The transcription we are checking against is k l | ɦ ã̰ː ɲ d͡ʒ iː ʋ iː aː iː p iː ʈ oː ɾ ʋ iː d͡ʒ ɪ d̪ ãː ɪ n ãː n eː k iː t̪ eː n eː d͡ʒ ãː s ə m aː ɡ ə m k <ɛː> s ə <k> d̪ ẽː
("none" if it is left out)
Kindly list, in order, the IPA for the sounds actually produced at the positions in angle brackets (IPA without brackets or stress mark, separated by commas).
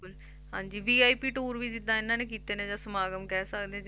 ɛː, k